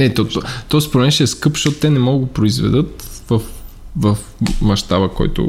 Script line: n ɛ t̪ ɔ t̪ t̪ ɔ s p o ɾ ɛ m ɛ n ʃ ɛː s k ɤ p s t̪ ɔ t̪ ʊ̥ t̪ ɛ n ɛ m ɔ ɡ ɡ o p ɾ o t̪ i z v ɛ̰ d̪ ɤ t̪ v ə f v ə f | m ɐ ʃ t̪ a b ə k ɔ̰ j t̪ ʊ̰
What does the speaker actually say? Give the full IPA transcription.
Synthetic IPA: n ɛ t̪ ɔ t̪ t̪ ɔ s p o ɾ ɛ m ɛ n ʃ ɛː s k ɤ p ʃ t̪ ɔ t̪ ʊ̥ t̪ ɛ n ɛ m ɔ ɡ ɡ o p ɾ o i z v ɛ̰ d̪ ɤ t̪ v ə f v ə f | m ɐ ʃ t̪ a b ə k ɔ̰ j t̪ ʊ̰